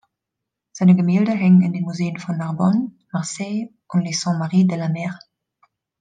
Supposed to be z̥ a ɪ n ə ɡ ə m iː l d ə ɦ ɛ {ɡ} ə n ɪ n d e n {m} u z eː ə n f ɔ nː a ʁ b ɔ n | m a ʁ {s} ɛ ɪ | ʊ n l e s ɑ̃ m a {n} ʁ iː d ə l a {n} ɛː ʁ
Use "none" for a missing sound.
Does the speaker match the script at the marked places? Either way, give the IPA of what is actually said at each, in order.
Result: ŋ, m, s, none, m

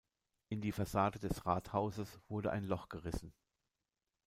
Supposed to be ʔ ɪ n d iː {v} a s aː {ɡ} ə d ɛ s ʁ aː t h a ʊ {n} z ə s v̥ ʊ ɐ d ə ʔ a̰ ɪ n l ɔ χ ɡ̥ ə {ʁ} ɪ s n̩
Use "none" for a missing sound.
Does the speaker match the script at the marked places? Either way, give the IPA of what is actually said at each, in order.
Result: f, d, none, ʁ

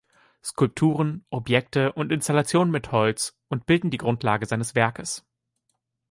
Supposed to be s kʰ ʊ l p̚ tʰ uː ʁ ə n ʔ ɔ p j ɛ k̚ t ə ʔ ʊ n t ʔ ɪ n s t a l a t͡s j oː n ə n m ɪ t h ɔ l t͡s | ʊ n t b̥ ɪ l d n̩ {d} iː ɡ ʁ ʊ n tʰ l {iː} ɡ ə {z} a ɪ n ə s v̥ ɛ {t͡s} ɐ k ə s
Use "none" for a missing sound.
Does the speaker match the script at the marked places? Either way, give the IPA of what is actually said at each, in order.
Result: d, aː, z, none

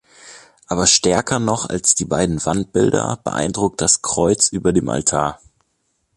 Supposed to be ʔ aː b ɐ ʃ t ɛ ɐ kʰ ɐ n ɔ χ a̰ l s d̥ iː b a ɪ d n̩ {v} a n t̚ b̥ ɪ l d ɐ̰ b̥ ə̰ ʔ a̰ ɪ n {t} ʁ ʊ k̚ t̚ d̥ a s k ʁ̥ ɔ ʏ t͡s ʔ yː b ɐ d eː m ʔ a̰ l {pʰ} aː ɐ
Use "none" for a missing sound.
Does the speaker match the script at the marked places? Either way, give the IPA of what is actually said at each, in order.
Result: v, d, tʰ

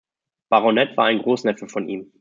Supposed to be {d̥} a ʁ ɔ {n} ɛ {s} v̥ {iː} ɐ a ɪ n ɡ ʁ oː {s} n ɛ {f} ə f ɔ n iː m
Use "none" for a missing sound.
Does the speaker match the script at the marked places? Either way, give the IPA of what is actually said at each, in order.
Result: b̥, n, t, aː, s, f

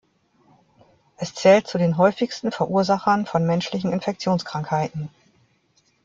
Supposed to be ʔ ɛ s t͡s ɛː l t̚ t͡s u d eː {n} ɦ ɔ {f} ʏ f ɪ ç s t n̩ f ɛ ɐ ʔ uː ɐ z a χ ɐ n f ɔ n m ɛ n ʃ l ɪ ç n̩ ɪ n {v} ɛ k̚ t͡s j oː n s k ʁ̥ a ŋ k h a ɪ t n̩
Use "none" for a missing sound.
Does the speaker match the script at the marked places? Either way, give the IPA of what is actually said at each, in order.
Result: n, none, f

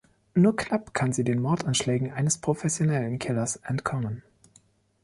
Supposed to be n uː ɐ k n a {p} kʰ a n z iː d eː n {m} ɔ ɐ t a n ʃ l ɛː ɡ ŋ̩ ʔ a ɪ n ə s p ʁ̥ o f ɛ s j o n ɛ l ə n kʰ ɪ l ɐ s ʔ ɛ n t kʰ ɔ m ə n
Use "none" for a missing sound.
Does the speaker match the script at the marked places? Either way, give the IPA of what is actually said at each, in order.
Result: p, m

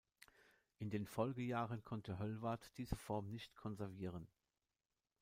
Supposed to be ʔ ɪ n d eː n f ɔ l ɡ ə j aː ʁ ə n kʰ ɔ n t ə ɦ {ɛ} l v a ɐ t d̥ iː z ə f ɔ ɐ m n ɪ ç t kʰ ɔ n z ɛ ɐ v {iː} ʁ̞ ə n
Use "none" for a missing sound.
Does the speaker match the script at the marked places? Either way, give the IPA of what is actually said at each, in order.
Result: œ, iː

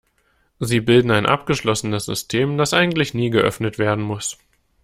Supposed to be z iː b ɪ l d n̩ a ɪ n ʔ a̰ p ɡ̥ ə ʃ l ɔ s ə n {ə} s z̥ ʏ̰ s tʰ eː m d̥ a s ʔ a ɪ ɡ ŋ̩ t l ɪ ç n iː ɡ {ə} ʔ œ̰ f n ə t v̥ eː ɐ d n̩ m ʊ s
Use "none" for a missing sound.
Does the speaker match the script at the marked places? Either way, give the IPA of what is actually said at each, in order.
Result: ə, ə

